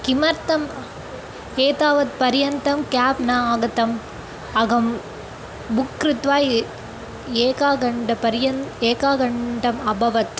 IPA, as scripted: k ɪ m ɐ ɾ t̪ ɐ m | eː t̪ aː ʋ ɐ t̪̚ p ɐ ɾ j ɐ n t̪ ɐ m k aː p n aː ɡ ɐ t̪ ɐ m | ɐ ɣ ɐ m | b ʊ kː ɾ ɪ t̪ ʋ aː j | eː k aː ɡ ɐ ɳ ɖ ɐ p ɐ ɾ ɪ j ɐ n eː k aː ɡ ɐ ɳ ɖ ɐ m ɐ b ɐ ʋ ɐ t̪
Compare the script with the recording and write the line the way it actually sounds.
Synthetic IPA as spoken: k ɪ m ɐ ɾ t̪ ɐ m | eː t̪ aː ʋ ɐ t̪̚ p ɐ ɾ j ɐ n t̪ ɐ m k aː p n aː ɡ ɐ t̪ ɐ m | ɐ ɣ ɐ m | b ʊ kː ɾ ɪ t̪ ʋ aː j | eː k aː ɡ ɐ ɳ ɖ ɐ p ɐ ɾ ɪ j ɐ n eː k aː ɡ ɐ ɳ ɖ ɐ m ɐ b ɐ ʋ ɐ t̪

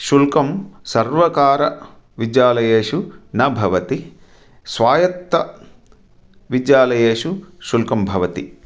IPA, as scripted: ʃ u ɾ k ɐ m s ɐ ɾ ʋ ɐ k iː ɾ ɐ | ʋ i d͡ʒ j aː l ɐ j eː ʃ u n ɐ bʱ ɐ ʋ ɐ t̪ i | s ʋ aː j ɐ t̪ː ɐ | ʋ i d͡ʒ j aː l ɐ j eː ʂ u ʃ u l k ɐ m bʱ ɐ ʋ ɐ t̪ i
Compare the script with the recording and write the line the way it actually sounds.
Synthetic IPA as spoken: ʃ u l k ɐ m s ɐ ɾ ʋ ɐ k aː ɾ ɐ | ʋ i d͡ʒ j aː l ɐ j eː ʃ u n ɐ bʱ ɐ ʋ ɐ t̪ i | s ʋ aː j ɐ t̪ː ɐ | ʋ i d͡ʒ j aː l ɐ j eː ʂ u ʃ u l k ɐ m bʱ ɐ ʋ ɐ t̪ i

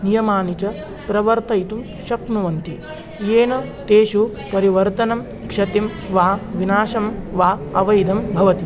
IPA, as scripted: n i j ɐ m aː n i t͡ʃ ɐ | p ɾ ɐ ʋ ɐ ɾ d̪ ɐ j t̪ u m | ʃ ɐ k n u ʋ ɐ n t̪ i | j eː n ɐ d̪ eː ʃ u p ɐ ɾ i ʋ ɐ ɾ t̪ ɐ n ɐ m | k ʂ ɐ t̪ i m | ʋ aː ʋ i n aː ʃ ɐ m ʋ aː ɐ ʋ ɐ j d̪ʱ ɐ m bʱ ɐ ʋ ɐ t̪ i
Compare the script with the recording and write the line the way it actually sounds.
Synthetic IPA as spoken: n i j ɐ m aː n i t͡ʃ ɐ | p ɾ ɐ ʋ ɐ ɾ t̪ ɐ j t̪ u m | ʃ ɐ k n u ʋ ɐ n t̪ i | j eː n ɐ t̪ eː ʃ u p ɐ ɾ i ʋ ɐ ɾ t̪ ɐ n ɐ m | k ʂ ɐ t̪ i m | ʋ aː ʋ i n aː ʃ ɐ m ʋ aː ɐ ʋ ɐ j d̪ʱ ɐ m bʱ ɐ ʋ ɐ t̪ i

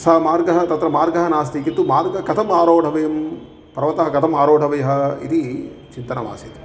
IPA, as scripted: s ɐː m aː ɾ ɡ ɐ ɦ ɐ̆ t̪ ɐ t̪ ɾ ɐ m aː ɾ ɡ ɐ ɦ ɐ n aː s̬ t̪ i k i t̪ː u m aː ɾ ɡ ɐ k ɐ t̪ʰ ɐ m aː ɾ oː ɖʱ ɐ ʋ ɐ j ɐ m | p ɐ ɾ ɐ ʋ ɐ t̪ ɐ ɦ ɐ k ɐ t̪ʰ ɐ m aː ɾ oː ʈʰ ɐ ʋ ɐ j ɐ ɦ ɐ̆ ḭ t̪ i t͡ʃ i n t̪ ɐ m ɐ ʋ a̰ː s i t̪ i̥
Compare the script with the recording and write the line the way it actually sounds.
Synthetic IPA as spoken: s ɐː m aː ɾ ɡ ɐ ɦ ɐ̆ t̪ ɐ t̪ ɾ ɐ m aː ɾ ɡ ɐ ɦ ɐ n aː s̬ t̪ i k i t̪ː u m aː ɾ ɡ ɐ k ɐ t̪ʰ ɐ m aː ɾ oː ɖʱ ɐ ʋ ɐ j ɐ m | p ɐ ɾ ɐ ʋ ɐ t̪ ɐ ɦ ɐ k ɐ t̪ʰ ɐ m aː ɾ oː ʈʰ ɐ ʋ ɐ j ɐ ɦ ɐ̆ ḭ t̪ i t͡ʃ i n t̪ ɐ n ɐ ʋ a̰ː s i t̪ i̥

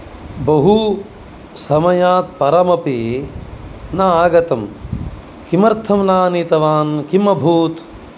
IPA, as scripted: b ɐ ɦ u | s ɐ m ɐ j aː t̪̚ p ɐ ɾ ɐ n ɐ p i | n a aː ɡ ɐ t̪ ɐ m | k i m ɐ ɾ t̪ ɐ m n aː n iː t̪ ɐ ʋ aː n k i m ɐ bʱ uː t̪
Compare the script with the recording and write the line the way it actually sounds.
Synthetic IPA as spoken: b ɐ ɦ u | s ɐ m ɐ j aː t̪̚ p ɐ ɾ ɐ m ɐ p i | n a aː ɡ ɐ t̪ ɐ m | k i m ɐ ɾ t̪ʰ ɐ m n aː n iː t̪ ɐ ʋ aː n k i m ɐ bʱ uː t̪

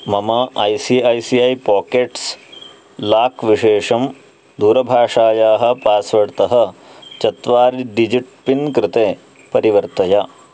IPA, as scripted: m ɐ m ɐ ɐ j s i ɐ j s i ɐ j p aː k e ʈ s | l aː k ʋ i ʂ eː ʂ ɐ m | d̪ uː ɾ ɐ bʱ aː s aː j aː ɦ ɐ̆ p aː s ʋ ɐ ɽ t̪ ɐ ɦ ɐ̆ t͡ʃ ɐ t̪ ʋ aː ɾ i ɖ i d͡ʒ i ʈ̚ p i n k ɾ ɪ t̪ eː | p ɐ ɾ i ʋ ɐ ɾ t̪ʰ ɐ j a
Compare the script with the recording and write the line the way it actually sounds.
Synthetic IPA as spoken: m ɐ m ɐ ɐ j s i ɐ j s i ɐ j p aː k e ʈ s | l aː k ʋ i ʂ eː ʂ ɐ m | d̪ uː ɾ ɐ bʱ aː ʂ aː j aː ɦ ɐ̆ p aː s ʋ ɐ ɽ t̪ ɐ ɦ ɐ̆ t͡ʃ ɐ t̪ ʋ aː ɾ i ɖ i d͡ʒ i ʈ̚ p i n k ɾ ɪ t̪ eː | p ɐ ɾ i ʋ ɐ ɾ t̪ ɐ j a

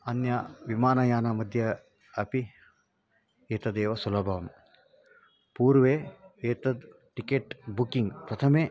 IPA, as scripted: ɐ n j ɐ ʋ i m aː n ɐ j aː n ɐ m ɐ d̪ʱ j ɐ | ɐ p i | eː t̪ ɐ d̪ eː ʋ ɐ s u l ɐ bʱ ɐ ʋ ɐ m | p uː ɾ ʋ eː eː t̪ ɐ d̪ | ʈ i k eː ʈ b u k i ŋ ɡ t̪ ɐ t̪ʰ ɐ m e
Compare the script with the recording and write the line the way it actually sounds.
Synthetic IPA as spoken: ɐ n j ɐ ʋ i m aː n ɐ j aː n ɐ m ɐ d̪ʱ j ɐ | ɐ p i | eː t̪ ɐ d̪ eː ʋ ɐ s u l ɐ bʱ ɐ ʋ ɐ m | p uː ɾ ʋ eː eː t̪ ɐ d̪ | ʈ i k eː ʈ b u k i ŋ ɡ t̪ ɐ t̪ʰ ɐ m e

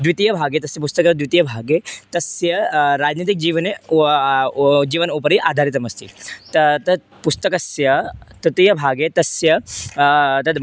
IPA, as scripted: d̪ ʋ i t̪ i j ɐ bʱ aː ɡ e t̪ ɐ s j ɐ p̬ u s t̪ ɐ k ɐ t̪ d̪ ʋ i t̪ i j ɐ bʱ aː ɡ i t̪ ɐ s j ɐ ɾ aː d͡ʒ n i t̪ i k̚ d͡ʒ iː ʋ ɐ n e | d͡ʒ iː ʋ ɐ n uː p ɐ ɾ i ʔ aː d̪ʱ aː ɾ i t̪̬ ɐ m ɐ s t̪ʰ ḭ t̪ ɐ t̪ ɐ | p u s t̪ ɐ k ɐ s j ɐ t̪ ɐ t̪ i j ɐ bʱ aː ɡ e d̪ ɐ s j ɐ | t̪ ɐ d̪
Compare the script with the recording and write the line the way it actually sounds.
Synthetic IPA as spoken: d̪ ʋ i t̪ i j ɐ bʱ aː ɡ e t̪ ɐ s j ɐ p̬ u s t̪ ɐ k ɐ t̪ d̪ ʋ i t̪ i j ɐ bʱ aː ɡ e t̪ ɐ s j ɐ ɾ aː d͡ʒ n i t̪ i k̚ d͡ʒ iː ʋ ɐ n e | d͡ʒ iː ʋ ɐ n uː p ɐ ɾ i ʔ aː d̪ʱ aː ɾ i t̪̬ ɐ m ɐ s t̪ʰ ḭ t̪ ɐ t̪ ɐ | p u s t̪ ɐ k ɐ s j ɐ t̪ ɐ t̪ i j ɐ bʱ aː ɡ e t̪ ɐ s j ɐ | t̪ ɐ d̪

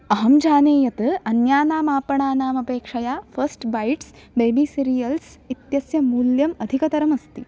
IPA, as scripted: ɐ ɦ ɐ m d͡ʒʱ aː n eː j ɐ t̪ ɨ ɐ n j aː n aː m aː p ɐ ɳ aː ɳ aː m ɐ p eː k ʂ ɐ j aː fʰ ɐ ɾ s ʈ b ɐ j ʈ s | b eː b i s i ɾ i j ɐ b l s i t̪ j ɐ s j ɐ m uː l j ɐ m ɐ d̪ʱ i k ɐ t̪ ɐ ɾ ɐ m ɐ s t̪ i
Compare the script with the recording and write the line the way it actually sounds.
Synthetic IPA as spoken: ɐ ɦ ɐ m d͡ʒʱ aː n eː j ɐ t̪ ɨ ɐ n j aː n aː m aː p ɐ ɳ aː n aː m ɐ p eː k ʂ ɐ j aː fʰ ɐ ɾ s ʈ b ɐ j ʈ s | b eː b i s i ɾ i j ɐ l s i t̪ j ɐ s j ɐ m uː l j ɐ m ɐ d̪ʱ i k ɐ t̪ ɐ ɾ ɐ m ɐ s t̪ i

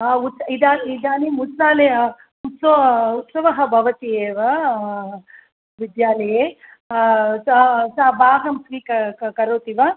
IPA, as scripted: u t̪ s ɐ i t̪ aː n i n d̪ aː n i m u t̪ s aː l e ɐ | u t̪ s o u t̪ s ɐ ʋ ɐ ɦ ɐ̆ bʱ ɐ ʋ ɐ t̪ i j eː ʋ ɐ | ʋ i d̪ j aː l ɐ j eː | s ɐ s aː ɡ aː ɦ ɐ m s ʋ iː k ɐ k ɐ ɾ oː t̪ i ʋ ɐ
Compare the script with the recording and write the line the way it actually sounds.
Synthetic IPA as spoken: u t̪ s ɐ i d̪ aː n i d̪ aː n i m u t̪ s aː l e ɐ | u t̪ s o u t̪ s ɐ ʋ ɐ ɦ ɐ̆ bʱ ɐ ʋ ɐ t̪ i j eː ʋ ɐ | ʋ i d̪ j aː l ɐ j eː | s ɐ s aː b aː ɦ ɐ m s ʋ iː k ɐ k ɐ ɾ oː t̪ i ʋ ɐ

